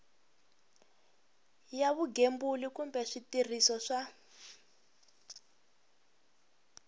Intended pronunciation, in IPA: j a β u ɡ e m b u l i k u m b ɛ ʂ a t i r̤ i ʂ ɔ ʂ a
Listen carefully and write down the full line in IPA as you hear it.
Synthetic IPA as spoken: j a β u ɡ e m b u l i k u m b ɛ ʂ i t i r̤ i s ɔ ʂ a